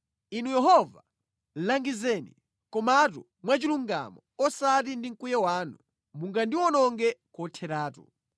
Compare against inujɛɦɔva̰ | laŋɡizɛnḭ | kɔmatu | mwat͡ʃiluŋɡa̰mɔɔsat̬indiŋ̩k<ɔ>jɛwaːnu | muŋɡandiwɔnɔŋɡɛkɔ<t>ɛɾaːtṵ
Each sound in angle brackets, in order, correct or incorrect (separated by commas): incorrect, incorrect